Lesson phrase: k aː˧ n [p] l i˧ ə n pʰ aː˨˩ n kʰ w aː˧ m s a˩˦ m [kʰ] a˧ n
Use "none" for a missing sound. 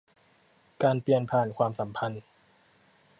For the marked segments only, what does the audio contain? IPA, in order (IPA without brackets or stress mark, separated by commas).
p, pʰ